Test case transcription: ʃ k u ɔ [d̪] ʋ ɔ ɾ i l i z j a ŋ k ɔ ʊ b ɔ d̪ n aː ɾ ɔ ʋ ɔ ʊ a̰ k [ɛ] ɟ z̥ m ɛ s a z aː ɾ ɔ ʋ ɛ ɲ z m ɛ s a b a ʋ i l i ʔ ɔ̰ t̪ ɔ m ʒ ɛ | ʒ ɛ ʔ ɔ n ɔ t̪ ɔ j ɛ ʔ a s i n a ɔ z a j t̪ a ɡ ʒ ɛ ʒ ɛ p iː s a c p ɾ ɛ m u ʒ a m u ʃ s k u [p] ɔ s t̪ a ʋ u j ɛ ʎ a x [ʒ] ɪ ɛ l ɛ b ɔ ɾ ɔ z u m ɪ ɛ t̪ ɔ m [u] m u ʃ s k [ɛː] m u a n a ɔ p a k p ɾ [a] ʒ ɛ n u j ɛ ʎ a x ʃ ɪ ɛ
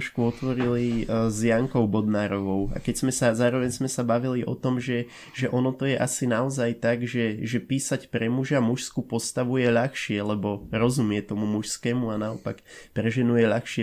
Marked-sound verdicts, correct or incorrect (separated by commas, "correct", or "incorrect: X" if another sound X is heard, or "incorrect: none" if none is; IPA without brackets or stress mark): incorrect: t̪, correct, correct, incorrect: ʃ, correct, correct, incorrect: ɛ